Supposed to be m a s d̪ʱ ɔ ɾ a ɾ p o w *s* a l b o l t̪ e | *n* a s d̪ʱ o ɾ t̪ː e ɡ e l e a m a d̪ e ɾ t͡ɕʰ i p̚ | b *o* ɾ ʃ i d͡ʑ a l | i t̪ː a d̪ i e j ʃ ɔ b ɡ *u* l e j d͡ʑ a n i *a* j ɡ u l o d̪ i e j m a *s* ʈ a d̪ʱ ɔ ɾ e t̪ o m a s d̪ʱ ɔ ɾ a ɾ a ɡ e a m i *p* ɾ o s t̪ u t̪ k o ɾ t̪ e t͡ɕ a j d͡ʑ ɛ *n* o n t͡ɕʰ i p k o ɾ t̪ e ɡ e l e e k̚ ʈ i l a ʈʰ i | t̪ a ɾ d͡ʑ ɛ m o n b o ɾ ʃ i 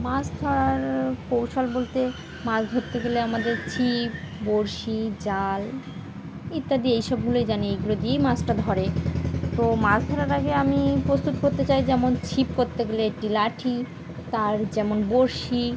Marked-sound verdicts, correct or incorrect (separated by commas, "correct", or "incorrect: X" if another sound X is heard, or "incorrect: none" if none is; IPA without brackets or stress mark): incorrect: ʃ, incorrect: m, correct, correct, incorrect: e, correct, correct, incorrect: m